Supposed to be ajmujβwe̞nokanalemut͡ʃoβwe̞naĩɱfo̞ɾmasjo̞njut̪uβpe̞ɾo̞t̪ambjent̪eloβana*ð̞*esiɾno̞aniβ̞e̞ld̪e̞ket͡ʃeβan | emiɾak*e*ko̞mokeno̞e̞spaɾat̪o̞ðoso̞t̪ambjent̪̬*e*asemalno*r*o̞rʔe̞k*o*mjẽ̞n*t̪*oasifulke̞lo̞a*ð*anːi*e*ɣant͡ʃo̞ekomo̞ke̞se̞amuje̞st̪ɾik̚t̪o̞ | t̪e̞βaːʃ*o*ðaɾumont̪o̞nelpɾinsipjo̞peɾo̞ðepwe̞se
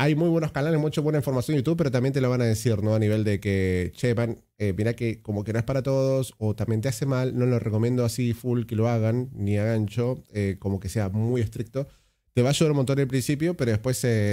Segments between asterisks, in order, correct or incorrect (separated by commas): correct, correct, correct, incorrect, correct, incorrect, incorrect, incorrect, incorrect